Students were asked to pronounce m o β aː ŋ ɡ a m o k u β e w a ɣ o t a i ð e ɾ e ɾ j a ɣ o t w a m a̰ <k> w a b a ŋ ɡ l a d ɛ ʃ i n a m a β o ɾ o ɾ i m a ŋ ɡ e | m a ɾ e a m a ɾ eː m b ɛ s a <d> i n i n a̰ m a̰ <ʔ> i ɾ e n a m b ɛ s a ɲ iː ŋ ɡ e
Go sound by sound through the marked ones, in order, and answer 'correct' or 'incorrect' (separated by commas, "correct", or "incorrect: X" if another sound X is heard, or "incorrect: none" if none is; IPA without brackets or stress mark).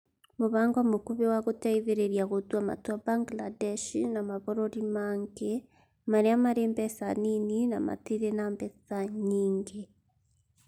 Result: incorrect: t, incorrect: n, incorrect: t